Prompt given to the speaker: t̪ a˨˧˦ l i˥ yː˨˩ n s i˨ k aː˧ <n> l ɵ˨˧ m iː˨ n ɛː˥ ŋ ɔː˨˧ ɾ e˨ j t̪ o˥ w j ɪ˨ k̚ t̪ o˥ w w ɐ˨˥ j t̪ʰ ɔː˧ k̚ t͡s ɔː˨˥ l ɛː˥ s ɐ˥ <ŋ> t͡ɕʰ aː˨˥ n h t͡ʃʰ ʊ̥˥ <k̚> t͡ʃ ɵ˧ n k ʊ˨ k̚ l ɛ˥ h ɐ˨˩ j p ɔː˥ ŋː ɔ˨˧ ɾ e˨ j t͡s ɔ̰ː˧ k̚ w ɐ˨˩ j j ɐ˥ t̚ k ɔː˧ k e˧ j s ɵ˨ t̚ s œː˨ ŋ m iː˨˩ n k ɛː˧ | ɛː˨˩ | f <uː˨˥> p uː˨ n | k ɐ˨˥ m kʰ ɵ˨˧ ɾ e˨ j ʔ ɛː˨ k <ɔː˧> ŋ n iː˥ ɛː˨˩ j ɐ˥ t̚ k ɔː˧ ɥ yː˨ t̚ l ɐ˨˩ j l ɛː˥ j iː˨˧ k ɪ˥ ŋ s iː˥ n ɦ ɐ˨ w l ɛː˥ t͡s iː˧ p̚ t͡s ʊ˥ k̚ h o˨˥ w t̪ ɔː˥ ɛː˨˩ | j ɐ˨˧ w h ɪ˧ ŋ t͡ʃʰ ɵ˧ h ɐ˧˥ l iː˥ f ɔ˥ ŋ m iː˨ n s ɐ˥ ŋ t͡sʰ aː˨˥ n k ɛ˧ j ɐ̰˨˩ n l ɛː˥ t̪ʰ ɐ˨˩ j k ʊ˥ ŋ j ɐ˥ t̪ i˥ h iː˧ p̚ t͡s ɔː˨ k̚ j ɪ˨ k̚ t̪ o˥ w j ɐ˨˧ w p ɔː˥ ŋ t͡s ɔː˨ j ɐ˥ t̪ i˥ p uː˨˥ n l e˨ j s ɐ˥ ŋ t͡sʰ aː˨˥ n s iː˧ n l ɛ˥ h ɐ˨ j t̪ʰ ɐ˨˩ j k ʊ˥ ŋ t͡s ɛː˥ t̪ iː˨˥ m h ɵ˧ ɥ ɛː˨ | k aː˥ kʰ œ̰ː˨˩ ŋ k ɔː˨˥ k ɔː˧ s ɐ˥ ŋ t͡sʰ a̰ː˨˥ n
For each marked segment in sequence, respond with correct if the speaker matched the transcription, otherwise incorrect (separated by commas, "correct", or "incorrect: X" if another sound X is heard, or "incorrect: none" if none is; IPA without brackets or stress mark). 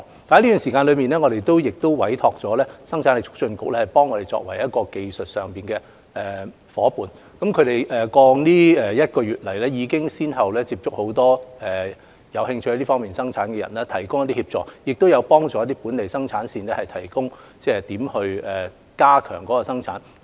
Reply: correct, correct, correct, incorrect: ɔː˨˥, correct